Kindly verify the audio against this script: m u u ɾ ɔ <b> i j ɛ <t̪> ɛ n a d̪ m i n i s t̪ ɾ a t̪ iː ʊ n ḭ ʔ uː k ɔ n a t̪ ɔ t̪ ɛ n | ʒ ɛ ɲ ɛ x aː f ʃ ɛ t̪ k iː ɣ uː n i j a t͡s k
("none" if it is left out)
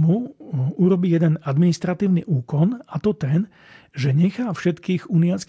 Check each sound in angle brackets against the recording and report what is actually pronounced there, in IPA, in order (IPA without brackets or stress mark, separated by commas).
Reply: b, d̪